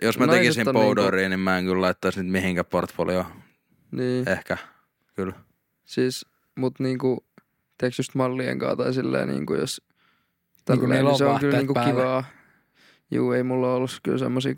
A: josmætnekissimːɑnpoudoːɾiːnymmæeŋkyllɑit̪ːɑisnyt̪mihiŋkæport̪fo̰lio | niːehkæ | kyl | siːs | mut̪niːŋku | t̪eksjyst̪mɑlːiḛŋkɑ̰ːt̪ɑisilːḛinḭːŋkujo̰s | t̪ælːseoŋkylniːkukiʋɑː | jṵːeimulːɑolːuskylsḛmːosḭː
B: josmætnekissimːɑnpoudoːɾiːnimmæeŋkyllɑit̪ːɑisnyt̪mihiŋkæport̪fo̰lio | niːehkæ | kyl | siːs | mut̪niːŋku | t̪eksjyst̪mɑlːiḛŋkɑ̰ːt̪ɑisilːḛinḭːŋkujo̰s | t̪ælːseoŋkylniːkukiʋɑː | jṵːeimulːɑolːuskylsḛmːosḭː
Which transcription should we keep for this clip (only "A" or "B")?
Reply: B